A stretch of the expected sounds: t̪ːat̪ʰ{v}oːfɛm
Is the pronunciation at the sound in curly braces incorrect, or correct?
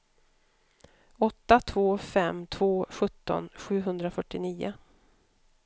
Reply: correct